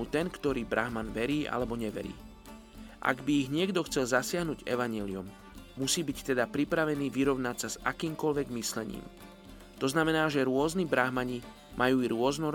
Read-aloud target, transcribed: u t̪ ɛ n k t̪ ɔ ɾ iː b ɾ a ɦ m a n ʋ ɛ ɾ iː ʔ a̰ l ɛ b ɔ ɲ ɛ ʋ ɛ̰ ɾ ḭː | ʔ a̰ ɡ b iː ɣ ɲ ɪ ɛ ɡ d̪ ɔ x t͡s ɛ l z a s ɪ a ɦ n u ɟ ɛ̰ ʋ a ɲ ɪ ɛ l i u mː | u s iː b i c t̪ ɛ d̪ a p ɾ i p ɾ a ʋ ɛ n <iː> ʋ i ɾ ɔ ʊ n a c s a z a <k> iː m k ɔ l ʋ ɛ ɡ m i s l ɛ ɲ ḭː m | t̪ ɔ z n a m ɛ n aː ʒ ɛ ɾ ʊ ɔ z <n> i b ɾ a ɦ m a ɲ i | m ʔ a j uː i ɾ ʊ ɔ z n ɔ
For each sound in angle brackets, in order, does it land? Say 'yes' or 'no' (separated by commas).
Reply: yes, yes, yes